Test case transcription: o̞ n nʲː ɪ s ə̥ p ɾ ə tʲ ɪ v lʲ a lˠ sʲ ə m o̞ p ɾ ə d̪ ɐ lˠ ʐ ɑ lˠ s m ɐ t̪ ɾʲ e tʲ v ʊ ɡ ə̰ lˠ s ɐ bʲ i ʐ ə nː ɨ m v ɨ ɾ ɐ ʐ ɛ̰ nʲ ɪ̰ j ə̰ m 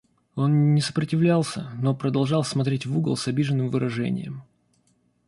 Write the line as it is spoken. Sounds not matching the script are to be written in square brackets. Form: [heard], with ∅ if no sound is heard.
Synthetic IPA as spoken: o̞ n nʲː ɪ s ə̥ p ɾ ə tʲ ɪ v lʲ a lˠ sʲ ə [n] o̞ p ɾ ə d̪ ɐ lˠ ʐ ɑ lˠ s m ɐ t̪ ɾʲ e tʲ v [u] ɡ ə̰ lˠ s ɐ bʲ i ʐ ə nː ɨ m v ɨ ɾ ɐ ʐ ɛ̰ nʲ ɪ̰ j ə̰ m